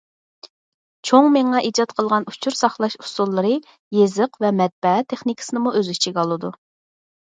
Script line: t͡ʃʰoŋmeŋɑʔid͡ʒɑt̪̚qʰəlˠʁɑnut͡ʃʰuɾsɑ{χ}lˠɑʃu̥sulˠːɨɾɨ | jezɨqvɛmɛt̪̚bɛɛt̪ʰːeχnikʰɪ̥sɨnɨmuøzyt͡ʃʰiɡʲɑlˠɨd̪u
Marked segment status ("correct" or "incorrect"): correct